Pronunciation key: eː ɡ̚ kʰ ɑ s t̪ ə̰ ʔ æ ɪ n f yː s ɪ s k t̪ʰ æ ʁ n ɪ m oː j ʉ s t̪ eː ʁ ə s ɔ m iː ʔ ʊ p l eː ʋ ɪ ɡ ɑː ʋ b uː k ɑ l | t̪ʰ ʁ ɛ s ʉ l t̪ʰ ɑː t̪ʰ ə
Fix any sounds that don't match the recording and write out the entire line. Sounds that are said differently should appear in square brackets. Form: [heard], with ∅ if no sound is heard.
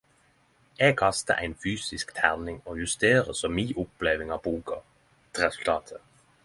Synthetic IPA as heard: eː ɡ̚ kʰ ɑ s t̪ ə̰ ʔ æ ɪ n f yː s ɪ s k t̪ʰ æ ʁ n ɪ [ŋ] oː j ʉ s t̪ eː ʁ ə s ɔ m iː ʔ ʊ p l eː ʋ ɪ [ŋ] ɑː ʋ b uː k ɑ [∅] | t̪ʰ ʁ ɛ s ʉ l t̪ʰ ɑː t̪ʰ ə